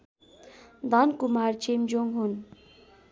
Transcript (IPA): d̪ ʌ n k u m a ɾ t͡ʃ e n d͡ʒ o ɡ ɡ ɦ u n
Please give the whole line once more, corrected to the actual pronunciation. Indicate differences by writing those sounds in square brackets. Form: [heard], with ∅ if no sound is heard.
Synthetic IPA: d̪ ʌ n k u m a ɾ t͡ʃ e [m] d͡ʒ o [ŋ] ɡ ɦ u n